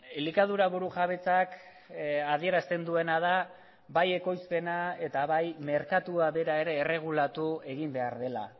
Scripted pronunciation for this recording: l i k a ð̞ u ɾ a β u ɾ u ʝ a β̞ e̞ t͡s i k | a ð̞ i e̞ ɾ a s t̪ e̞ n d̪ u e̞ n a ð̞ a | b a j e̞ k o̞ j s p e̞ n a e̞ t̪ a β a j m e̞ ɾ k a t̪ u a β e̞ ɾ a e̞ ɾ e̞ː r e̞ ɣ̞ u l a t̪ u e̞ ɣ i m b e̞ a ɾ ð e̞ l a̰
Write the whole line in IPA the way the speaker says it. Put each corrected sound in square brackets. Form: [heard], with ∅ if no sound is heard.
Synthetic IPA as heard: l i k a ð̞ u ɾ a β u ɾ u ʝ a β̞ e̞ t͡s [a] k | a ð̞ i e̞ ɾ a s t̪ e̞ n d̪ u e̞ n a ð̞ a | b a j e̞ k o̞ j s p e̞ n a e̞ t̪ a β a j m e̞ ɾ k a t̪ u a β e̞ ɾ a e̞ ɾ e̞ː r e̞ ɣ̞ u l a t̪ u e̞ ɣ i m b e̞ a ɾ ð e̞ l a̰

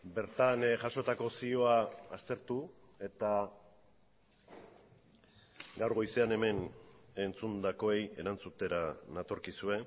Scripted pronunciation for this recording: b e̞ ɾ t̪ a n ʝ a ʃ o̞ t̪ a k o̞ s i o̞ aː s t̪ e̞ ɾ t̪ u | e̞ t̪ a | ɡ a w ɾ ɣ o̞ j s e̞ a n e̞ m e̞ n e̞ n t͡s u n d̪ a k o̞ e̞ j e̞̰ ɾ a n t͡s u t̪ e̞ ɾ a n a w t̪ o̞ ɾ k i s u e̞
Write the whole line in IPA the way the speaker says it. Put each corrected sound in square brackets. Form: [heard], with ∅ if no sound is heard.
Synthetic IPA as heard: b e̞ ɾ t̪ a n ʝ a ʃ o̞ t̪ a k o̞ s i o̞ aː s t̪ e̞ ɾ t̪ u | e̞ t̪ a | ɡ a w ɾ ɣ o̞ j s e̞ a n e̞ m e̞ n e̞ n t͡s u n d̪ a k o̞ e̞ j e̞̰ ɾ a n t͡s u t̪ e̞ ɾ a n a [∅] t̪ o̞ ɾ k i s u e̞

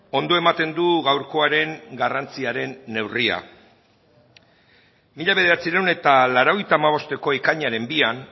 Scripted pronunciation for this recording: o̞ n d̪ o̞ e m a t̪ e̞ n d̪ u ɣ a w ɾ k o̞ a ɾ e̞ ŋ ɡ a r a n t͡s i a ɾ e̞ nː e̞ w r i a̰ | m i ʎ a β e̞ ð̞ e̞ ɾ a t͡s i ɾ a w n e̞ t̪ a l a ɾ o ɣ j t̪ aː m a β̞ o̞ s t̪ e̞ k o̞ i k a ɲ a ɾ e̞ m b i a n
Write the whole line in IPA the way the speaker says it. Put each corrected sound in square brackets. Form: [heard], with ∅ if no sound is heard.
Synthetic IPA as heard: o̞ n d̪ o̞ e m a t̪ e̞ n d̪ u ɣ a w ɾ k o̞ a ɾ e̞ ŋ ɡ a r a n t͡s i a ɾ e̞ nː e̞ w r i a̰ | m i ʎ a β e̞ ð̞ e̞ ɾ a t͡s i ɾ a w n e̞ t̪ a l a ɾ o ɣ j t̪ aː m a β̞ o̞ s t̪ e̞ k o̞ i k a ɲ a ɾ e̞ m b i a n

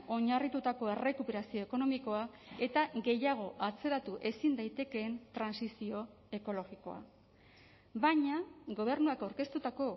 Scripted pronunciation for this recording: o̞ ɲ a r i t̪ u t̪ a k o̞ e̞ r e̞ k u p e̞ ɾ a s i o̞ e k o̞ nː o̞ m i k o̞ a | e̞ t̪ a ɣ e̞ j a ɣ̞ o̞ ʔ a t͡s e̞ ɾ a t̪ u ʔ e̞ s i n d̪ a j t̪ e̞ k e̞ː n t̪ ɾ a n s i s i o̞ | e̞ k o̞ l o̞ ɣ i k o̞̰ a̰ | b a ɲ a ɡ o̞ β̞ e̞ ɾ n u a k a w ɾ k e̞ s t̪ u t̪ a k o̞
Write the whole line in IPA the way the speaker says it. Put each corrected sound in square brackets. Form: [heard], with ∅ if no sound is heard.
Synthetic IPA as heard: o̞ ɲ a r i t̪ u t̪ a k o̞ e̞ r e̞ k u p e̞ ɾ a s i o̞ e k o̞ [n] o̞ m i k o̞ a | e̞ t̪ a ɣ e̞ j a ɣ̞ o̞ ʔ a t͡s e̞ ɾ a t̪ u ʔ e̞ s i n d̪ a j t̪ e̞ k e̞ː n t̪ ɾ a n s i s i o̞ | e̞ k o̞ l o̞ ɣ i k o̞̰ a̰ | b a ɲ a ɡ o̞ β̞ e̞ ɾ n u a k a w ɾ k e̞ s t̪ u t̪ a k o̞

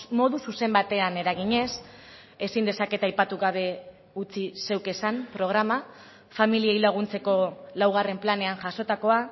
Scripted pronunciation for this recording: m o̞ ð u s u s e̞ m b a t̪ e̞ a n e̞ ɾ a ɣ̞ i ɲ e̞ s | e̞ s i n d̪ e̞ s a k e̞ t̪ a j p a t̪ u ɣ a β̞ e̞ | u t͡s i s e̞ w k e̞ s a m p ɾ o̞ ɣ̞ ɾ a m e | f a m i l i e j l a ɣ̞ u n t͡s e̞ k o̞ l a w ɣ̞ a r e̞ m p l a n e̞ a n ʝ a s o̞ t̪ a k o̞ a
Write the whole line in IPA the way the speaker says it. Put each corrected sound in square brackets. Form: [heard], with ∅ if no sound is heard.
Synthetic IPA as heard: m o̞ ð u s u s e̞ m b a t̪ e̞ a n e̞ ɾ a ɣ̞ i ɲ e̞ s | e̞ s i n d̪ e̞ s a k e̞ t̪ a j p a t̪ u ɣ a β̞ e̞ | u t͡s i s e̞ w k e̞ s a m p ɾ o̞ ɣ̞ ɾ a m [a] | f a m i l i e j l a ɣ̞ u n t͡s e̞ k o̞ l a w ɣ̞ a r e̞ m p l a n e̞ a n ʝ a s o̞ t̪ a k o̞ a

